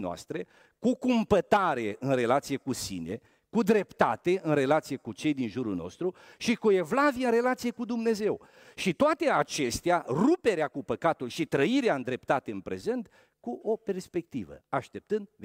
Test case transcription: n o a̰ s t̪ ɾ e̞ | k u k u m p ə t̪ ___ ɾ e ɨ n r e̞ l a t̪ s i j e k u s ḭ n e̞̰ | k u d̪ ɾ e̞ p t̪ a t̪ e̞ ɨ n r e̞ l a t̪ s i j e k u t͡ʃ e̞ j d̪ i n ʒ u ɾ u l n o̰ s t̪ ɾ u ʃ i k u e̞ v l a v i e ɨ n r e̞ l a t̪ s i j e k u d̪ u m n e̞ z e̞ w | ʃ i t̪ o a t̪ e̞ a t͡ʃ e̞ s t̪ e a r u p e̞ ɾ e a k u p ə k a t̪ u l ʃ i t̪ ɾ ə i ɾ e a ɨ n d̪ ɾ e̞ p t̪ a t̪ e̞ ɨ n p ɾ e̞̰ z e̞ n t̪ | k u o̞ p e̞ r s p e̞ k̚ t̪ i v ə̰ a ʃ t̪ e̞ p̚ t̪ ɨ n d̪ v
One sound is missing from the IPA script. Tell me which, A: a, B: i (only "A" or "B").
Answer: A